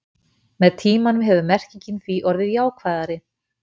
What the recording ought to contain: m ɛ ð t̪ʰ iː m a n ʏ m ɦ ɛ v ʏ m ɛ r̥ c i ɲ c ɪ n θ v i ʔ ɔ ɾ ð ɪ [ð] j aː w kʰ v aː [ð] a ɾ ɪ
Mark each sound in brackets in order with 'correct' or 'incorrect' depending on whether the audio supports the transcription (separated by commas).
correct, correct